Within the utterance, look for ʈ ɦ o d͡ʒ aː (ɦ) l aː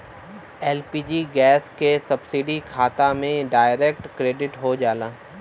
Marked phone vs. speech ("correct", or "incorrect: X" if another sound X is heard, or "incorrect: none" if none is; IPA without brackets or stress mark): incorrect: none